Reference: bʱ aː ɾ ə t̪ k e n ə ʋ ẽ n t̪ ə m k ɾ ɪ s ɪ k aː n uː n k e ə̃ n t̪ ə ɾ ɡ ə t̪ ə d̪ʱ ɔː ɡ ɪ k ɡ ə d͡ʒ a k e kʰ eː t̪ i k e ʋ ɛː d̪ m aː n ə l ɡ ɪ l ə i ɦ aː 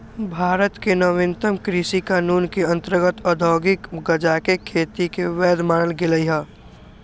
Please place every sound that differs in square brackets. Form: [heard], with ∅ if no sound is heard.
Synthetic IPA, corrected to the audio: bʱ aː ɾ ə t̪ k e n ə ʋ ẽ n t̪ ə m k ɾ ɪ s [i] k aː n uː n k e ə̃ n t̪ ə ɾ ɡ ə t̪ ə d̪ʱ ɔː ɡ ɪ k ɡ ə d͡ʒ a k e kʰ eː t̪ i k e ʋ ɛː d̪ m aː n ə l ɡ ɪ l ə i ɦ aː